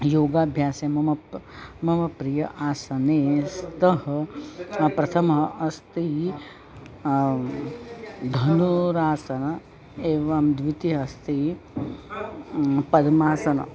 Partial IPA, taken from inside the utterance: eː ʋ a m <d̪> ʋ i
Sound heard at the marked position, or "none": d̪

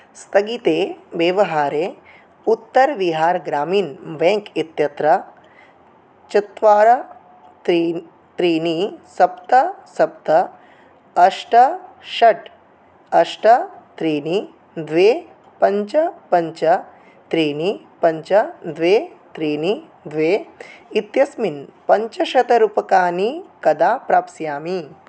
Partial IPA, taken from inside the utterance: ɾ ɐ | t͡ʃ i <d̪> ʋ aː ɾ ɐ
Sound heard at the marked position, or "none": t̪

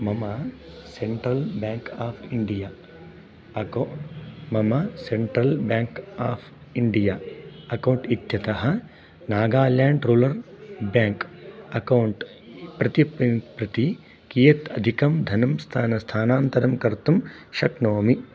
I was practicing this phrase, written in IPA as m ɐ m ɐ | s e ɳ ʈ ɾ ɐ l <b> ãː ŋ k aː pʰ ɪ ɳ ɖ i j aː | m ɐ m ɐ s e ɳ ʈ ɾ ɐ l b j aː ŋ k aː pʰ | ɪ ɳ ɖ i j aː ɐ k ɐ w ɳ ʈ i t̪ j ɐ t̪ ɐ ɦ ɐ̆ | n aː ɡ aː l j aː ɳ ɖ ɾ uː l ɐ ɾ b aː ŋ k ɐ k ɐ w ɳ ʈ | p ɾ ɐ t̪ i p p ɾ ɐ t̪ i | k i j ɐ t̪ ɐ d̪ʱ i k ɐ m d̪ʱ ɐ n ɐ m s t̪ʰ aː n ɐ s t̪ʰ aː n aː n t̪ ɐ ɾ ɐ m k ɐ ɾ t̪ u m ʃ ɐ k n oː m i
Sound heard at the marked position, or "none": b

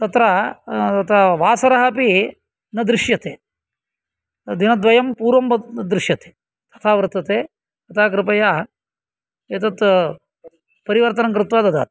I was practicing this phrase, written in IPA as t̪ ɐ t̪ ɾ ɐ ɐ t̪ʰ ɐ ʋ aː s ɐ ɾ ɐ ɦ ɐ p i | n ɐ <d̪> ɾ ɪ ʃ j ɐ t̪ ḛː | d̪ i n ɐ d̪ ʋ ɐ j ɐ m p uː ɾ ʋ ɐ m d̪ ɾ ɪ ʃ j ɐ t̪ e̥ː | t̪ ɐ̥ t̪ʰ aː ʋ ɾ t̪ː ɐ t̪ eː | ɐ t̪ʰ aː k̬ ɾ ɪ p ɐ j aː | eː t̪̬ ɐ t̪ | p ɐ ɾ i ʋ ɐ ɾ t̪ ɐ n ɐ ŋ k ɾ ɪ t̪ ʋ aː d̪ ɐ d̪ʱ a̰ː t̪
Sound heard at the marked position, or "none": d̪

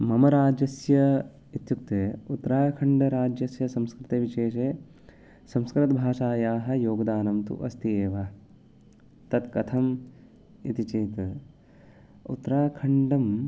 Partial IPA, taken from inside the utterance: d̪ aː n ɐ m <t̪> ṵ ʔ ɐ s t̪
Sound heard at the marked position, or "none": t̪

